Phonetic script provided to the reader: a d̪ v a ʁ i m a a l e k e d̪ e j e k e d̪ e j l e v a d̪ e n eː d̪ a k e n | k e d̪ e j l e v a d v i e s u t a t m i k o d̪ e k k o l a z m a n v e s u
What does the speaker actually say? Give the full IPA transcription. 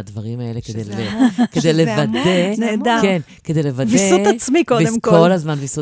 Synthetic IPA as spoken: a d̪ v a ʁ i m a e l e k e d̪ e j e k e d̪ e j l e v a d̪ e n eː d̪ a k e n | k e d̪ e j l e v a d v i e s u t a t͡s m i k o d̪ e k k o l a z m a n v i s u